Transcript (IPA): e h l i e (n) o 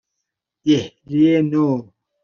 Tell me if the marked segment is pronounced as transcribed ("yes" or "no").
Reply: yes